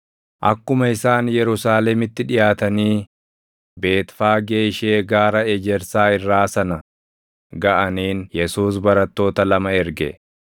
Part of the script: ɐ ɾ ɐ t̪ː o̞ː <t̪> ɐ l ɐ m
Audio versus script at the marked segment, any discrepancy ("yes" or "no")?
no